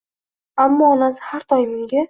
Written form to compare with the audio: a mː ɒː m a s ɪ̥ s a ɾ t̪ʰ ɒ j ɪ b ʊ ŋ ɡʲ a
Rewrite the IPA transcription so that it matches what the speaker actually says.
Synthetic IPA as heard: a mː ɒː n a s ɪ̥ h a ɾ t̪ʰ ɒ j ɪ m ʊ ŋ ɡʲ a